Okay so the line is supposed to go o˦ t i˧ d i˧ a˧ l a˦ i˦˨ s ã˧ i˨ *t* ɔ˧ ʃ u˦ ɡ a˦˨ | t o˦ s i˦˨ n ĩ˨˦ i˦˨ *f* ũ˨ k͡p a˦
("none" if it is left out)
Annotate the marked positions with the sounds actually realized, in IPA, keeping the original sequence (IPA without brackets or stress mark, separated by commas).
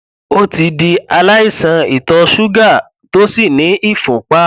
t, f